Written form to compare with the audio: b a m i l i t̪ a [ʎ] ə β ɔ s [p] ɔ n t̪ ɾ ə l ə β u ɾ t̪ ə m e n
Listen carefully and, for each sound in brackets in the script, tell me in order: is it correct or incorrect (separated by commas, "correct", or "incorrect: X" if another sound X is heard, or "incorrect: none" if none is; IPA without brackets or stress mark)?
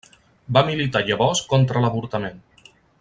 correct, incorrect: k